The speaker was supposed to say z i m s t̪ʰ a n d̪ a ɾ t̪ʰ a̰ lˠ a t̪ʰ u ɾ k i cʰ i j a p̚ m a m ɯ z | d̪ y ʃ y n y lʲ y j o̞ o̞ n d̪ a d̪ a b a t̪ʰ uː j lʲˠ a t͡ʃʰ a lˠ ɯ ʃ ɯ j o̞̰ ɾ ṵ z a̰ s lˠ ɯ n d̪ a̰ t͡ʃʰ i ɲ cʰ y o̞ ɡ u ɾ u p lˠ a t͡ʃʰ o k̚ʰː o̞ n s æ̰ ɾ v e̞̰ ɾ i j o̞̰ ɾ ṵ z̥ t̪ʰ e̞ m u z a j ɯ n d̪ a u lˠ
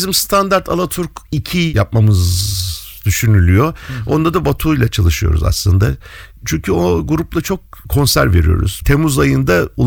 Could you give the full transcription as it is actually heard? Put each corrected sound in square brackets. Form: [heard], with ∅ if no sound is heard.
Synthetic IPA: z i m s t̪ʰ a n d̪ a ɾ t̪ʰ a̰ lˠ a t̪ʰ u ɾ k i cʰ i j a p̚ m a m ɯ z | d̪ y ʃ y n y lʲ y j o̞ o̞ n d̪ a d̪ a b a t̪ʰ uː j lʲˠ a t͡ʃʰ a lˠ ɯ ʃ ɯ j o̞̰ ɾ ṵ z a̰ s lˠ ɯ n d̪ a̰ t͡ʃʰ [y] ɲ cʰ y o̞ ɡ u ɾ u p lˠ a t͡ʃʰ o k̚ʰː o̞ n s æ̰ ɾ v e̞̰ ɾ i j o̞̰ ɾ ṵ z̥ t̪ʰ e̞ m u z a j ɯ n d̪ a u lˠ